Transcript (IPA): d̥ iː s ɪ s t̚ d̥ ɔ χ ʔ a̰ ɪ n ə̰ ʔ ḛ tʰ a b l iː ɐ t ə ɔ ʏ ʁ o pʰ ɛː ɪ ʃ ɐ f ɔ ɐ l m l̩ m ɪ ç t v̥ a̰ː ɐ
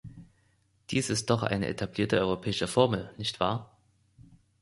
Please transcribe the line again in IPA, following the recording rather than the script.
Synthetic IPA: d̥ iː s ɪ s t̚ d̥ ɔ χ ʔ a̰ ɪ n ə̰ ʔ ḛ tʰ a b l iː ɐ t ə ɔ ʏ ʁ o pʰ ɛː ɪ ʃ ə f ɔ ɐ m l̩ n ɪ ç t v̥ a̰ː ɐ

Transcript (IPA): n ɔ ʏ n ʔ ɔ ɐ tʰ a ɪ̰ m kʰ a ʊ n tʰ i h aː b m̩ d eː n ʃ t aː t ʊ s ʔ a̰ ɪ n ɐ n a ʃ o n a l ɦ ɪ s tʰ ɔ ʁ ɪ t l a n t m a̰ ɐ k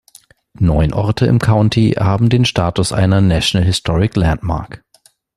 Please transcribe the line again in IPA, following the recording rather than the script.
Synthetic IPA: n ɔ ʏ n ʔ ɔ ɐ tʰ ə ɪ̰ m kʰ a ʊ n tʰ i h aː b m̩ d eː n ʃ t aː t ʊ s ʔ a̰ ɪ n ɐ n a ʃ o n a l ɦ ɪ s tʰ ɔ ʁ ɪ k l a n t m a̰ ɐ k

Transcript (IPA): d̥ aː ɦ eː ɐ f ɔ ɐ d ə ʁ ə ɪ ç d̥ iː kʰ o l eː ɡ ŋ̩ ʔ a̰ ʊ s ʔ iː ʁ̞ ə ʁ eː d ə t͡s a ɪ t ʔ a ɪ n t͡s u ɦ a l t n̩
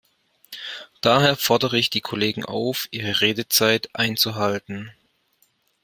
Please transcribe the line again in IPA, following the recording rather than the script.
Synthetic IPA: d̥ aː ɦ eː ɐ f ɔ ɐ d ə ʁ ə ɪ ç d̥ iː kʰ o l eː ɡ ŋ̩ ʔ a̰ ʊ f ʔ iː ʁ̞ ə ʁ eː d ə t͡s a ɪ t ʔ a ɪ n t͡s u ɦ a l t n̩

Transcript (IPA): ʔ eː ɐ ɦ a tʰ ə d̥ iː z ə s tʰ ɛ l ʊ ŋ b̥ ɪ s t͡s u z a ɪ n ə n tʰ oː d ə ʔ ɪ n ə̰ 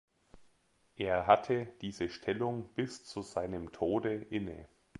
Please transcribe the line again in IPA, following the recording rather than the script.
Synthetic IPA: ʔ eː ɐ ɦ a tʰ ə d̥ iː z ə ʃ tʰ ɛ l ʊ ŋ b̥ ɪ s t͡s u z a ɪ n ə m tʰ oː d ə ʔ ɪ n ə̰

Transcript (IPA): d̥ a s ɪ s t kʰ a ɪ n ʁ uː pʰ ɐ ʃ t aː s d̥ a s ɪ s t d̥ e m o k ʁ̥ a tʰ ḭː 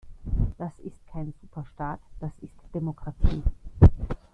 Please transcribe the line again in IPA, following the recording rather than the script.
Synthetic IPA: d̥ a s ɪ s t kʰ a ɪ n z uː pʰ ɐ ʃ t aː t d̥ a s ɪ s t d̥ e m o k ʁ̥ a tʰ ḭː

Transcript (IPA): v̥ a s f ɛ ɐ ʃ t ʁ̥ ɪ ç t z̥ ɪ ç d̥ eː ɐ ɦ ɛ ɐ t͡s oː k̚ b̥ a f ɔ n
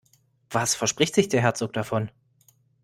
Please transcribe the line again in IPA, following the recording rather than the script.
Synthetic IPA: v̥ a s f ɛ ɐ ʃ p ʁ̥ ɪ ç t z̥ ɪ ç d̥ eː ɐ ɦ ɛ ɐ t͡s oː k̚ d̥ a f ɔ n

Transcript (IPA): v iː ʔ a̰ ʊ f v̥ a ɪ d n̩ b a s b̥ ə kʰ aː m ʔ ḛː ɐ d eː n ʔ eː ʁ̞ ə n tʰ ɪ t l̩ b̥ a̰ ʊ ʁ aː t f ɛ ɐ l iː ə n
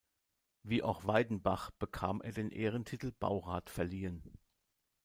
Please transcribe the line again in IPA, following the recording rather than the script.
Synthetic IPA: v iː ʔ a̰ ʊ x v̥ a ɪ d n̩ b a χ b̥ ə kʰ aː m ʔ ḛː ɐ d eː n ʔ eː ʁ̞ ə n tʰ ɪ t l̩ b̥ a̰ ʊ ʁ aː t f ɛ ɐ l iː ə n

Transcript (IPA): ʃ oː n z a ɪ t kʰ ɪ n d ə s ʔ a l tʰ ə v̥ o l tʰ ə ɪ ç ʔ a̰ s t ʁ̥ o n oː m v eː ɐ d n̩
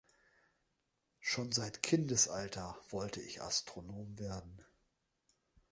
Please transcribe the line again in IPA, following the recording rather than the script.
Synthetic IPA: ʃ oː n z a ɪ t kʰ ɪ n d ə s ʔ a l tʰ ɐ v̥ ɔ l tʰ ə ɪ ç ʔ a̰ s t ʁ̥ o n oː m v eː ɐ d n̩

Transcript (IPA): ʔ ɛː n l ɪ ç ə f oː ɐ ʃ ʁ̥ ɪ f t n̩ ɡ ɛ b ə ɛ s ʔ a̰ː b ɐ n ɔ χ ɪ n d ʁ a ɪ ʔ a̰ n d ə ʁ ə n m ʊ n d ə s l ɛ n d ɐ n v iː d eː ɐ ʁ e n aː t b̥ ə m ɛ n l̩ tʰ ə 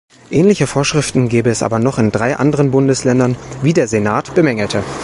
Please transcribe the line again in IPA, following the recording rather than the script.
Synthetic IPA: ʔ ɛː n l ɪ ç ə f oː ɐ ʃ ʁ̥ ɪ f t n̩ ɡ ɛː b ə ɛ s ʔ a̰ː b ɐ n ɔ χ ɪ n d ʁ a ɪ ʔ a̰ n d ə ʁ ə n b ʊ n d ə s l ɛ n d ɐ n v iː d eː ɐ z e n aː t b̥ ə m ɛ ŋ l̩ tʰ ə

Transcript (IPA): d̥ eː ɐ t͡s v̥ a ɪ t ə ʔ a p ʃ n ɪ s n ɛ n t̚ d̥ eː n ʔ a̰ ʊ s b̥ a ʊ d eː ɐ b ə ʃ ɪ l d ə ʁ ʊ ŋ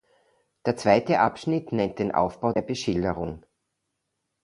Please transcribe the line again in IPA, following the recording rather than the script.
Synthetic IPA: d̥ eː ɐ t͡s v̥ a ɪ t ə ʔ a p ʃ n ɪ t n ɛ n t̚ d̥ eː n ʔ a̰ ʊ f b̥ a ʊ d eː ɐ b ə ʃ ɪ l d ə ʁ ʊ ŋ

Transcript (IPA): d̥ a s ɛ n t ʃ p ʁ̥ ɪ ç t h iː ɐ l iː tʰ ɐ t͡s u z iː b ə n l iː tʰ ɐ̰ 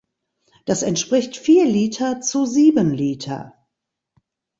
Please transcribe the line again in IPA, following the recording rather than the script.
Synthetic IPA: d̥ a s ɛ n t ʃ p ʁ̥ ɪ ç t f iː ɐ l iː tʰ ɐ t͡s u z iː b ə n l iː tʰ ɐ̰

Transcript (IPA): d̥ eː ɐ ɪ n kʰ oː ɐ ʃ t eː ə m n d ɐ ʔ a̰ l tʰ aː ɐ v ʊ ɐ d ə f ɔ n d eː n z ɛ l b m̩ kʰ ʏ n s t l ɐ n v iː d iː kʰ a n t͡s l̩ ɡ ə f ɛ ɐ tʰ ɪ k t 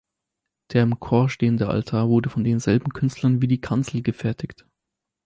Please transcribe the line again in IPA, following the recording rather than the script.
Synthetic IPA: d̥ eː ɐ ɪ m kʰ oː ɐ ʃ t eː ə n d ə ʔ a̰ l tʰ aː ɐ v ʊ ɐ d ə f ɔ n d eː n z ɛ l b m̩ kʰ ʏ n s t l ɐ n v iː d iː kʰ a n t͡s l̩ ɡ ə f ɛ ɐ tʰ ɪ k t

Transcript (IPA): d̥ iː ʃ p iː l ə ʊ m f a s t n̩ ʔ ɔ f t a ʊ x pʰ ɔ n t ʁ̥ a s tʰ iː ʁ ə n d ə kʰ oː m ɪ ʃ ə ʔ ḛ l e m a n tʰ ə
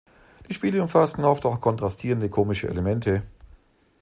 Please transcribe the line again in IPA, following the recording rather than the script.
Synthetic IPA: d̥ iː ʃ p iː l ə ʊ m f a s t n̩ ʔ ɔ f t a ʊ x kʰ ɔ n t ʁ̥ a s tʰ iː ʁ ə n d ə kʰ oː m ɪ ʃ ə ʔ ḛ l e m ɛ n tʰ ə

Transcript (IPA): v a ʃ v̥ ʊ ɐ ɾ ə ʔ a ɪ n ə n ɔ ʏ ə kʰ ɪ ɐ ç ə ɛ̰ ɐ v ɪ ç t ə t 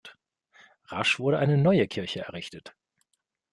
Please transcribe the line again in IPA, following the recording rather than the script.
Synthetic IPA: ʁ a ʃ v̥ ʊ ɐ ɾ ə ʔ a ɪ n ə n ɔ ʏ ə kʰ ɪ ɐ ç ə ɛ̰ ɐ ʁ ɪ ç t ə t

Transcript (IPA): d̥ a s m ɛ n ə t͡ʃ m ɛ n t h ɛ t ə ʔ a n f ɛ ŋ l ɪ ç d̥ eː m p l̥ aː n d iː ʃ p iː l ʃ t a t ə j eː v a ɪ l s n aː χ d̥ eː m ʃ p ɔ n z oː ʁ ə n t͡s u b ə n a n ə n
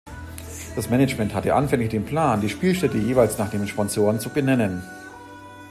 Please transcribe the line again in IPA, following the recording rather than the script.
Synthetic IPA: d̥ a s m ɛ n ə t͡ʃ m ɛ n t h a t ə ʔ a n f ɛ ŋ l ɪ ç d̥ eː n p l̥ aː n d iː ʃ p iː l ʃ t ɛ t ə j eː v a ɪ l s n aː χ d̥ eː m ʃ p ɔ n z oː ʁ ə n t͡s u b ə n ɛ n ə n

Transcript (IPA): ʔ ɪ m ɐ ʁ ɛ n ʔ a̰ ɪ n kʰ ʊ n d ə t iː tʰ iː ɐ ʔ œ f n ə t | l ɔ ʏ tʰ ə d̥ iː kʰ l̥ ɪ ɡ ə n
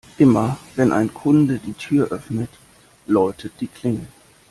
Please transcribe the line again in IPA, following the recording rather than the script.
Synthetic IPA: ʔ ɪ m ɐ v ɛ n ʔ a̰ ɪ n kʰ ʊ n d ə d iː tʰ yː ɐ ʔ œ f n ə t | l ɔ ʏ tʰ ə d̥ iː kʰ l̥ ɪ ŋ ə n

